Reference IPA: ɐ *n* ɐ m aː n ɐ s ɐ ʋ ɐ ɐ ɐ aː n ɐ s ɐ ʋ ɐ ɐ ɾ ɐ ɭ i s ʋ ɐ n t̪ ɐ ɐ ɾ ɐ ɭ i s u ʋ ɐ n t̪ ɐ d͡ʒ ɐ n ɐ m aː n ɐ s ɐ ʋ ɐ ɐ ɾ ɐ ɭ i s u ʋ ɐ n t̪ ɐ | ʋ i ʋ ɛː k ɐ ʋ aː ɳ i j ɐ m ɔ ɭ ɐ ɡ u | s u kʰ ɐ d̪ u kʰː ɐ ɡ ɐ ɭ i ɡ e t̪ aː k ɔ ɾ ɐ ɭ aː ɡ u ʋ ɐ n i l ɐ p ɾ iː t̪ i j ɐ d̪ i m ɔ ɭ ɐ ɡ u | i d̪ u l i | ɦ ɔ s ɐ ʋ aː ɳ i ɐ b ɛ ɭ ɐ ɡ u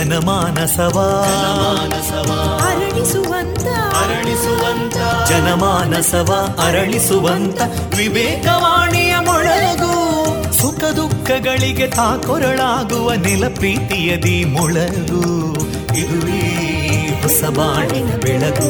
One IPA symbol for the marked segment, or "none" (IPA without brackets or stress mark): n